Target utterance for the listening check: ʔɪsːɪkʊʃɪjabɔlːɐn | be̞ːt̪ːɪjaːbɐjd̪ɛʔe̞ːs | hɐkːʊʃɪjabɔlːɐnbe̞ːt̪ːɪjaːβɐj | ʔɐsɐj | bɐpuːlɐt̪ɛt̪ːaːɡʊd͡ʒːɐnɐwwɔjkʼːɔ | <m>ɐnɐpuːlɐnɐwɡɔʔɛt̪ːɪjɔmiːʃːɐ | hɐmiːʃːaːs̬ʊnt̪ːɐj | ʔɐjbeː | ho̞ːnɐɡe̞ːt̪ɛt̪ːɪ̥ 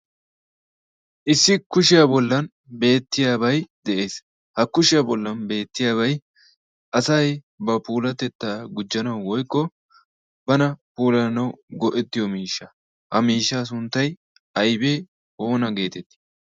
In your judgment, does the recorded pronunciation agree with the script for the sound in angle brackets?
no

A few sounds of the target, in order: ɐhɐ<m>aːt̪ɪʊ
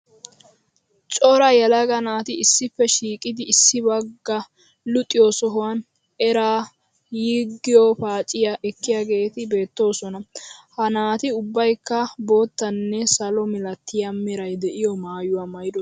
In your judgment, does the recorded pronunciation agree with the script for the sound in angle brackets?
no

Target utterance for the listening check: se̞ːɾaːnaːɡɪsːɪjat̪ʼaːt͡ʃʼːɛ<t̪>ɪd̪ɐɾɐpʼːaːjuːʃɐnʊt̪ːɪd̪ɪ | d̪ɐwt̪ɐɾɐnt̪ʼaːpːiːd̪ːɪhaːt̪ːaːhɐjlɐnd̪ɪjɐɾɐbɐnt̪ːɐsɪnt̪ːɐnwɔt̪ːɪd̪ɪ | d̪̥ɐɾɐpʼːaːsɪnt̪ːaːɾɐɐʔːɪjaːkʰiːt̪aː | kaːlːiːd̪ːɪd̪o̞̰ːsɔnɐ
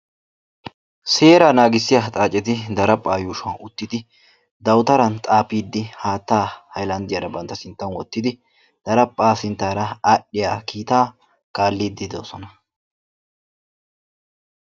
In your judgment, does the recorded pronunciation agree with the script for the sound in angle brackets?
yes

